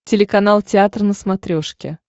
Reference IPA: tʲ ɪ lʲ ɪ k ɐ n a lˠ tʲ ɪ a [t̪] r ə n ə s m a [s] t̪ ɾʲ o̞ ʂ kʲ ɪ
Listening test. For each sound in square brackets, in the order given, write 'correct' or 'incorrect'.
correct, incorrect

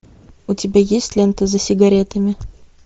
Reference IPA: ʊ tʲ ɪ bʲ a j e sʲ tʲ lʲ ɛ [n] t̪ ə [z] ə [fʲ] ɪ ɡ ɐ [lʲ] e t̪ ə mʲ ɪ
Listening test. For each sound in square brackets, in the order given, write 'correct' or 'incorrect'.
correct, correct, incorrect, incorrect

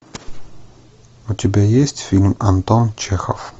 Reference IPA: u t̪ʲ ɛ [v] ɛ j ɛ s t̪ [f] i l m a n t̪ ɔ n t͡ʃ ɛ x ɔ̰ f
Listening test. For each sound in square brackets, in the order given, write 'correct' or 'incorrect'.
incorrect, correct

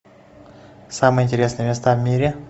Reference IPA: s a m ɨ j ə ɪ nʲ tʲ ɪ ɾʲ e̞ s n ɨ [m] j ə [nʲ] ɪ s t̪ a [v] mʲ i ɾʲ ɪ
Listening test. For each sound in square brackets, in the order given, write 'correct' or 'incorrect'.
incorrect, incorrect, correct

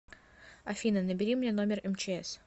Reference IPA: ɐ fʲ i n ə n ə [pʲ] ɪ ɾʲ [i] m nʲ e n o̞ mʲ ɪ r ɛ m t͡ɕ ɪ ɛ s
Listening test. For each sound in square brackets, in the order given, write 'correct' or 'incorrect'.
incorrect, correct

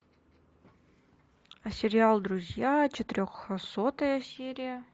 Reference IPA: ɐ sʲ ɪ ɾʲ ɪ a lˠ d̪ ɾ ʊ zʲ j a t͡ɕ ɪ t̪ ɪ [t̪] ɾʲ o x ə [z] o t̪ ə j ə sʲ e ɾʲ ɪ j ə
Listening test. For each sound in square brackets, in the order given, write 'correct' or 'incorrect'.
incorrect, incorrect

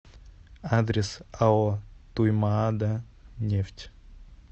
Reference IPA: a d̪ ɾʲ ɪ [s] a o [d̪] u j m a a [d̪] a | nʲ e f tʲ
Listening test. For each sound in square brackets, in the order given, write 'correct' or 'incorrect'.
correct, incorrect, correct

